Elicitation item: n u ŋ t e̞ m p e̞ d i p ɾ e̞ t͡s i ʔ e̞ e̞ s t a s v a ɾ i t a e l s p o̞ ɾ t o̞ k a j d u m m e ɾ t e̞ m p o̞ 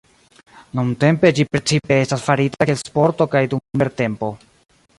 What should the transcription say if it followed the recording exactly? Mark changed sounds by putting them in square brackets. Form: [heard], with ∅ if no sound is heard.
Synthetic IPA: n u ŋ t e̞ m p e̞ [d͡ʒ] i p ɾ e̞ t͡s i [p] e̞ e̞ s t a s [f] a ɾ i t a e l s p o̞ ɾ t o̞ k a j d u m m e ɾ t e̞ m p o̞